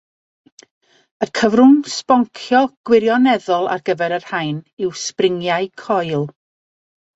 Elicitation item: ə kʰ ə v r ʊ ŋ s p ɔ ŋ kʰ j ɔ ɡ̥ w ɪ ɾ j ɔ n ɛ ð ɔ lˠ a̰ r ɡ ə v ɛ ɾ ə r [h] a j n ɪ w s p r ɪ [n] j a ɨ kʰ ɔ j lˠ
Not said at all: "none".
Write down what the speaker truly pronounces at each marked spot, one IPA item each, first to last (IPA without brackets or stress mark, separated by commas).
h, ŋ